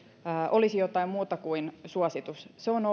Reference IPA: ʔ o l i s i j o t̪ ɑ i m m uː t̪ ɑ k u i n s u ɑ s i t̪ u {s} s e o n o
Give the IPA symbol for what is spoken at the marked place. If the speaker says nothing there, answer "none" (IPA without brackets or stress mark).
s